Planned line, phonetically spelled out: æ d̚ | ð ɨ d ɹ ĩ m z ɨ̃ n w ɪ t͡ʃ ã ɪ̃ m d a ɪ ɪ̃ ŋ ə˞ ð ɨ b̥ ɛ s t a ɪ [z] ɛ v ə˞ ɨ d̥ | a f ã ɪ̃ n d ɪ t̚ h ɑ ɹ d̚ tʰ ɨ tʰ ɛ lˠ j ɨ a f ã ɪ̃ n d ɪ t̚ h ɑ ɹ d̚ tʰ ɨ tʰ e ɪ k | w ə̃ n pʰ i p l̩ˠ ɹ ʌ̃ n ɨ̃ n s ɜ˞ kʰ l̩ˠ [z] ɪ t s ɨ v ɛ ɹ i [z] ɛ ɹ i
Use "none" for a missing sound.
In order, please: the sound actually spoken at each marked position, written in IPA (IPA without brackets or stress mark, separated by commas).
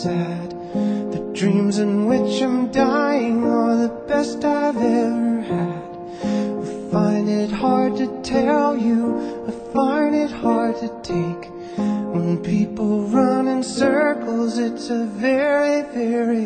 v, z, v